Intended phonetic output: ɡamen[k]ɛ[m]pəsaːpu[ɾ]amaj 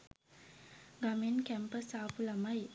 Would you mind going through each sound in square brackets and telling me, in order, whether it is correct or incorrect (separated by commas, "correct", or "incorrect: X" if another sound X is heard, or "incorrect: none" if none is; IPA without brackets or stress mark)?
correct, correct, incorrect: l